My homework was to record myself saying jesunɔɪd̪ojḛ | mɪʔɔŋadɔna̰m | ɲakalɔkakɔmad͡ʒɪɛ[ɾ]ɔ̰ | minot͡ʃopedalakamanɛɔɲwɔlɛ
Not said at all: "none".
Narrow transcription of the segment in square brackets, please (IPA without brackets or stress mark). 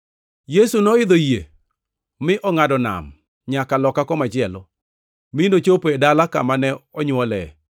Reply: l